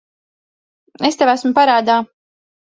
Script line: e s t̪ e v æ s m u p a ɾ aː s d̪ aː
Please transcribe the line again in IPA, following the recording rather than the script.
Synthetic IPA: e s t̪ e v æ s m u p a ɾ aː d̪ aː